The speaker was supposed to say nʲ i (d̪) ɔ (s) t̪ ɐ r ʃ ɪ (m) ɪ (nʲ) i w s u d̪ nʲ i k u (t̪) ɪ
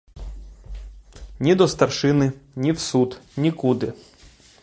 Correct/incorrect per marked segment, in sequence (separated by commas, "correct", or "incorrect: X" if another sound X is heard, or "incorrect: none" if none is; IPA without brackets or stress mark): correct, correct, incorrect: n, correct, incorrect: d̪